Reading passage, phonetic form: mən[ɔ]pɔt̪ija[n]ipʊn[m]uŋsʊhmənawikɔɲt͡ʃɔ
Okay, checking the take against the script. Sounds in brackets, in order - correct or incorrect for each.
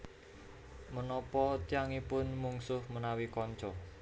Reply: correct, incorrect, correct

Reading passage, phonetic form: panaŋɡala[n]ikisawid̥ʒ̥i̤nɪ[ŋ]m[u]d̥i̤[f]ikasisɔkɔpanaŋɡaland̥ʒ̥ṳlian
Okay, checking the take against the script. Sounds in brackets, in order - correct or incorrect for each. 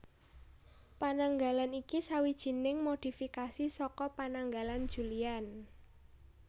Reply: correct, correct, incorrect, correct

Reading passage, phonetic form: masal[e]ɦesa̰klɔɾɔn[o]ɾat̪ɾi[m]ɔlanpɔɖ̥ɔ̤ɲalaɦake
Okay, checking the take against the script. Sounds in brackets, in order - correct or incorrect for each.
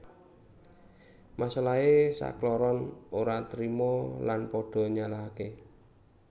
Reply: incorrect, correct, correct

